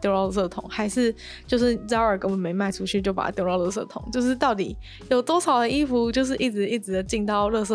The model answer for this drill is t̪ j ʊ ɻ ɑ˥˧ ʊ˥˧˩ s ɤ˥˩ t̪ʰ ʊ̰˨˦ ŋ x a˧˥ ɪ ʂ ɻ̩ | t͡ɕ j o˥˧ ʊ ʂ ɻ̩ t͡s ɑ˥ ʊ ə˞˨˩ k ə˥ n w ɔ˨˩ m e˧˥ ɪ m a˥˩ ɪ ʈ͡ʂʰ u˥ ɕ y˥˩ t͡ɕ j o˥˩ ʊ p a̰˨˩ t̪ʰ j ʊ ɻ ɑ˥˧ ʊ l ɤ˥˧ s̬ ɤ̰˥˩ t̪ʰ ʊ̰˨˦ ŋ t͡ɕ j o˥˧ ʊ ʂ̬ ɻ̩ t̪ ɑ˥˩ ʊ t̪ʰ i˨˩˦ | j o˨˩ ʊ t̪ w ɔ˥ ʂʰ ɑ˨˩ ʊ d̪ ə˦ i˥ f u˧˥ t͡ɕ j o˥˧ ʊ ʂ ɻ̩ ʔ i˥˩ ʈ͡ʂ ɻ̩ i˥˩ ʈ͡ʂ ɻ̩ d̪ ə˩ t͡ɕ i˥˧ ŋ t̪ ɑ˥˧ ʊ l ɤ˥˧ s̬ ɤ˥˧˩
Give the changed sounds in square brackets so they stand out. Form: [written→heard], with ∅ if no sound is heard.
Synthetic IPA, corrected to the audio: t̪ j ʊ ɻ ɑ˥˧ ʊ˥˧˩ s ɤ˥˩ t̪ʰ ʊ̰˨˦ ŋ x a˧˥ ɪ ʂ ɻ̩ | t͡ɕ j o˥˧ ʊ ʂ ɻ̩ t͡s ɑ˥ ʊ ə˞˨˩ k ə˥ n w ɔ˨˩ m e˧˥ ɪ m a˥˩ ɪ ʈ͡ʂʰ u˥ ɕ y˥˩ t͡ɕ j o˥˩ ʊ p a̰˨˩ [t̪ʰ→t̪] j ʊ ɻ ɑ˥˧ ʊ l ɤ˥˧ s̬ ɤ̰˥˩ t̪ʰ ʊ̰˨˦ ŋ t͡ɕ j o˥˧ ʊ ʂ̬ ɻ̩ t̪ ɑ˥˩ ʊ [t̪ʰ→t̪] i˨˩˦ | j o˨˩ ʊ t̪ w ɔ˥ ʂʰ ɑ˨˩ ʊ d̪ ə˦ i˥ f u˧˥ t͡ɕ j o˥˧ ʊ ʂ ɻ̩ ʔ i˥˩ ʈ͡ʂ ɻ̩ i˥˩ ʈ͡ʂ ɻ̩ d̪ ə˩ t͡ɕ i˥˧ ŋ t̪ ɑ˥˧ ʊ l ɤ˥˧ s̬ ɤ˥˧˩